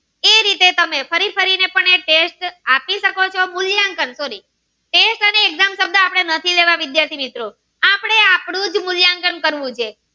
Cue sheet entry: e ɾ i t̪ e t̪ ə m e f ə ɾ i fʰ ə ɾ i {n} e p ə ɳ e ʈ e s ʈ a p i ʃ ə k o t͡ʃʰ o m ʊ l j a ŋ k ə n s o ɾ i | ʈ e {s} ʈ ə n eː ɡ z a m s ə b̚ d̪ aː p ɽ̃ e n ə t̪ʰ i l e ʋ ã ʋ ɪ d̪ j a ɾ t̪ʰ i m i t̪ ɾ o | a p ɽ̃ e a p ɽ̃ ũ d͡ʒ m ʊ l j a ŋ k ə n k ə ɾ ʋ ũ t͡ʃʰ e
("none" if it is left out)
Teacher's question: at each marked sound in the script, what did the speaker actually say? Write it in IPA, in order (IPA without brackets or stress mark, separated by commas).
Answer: n, s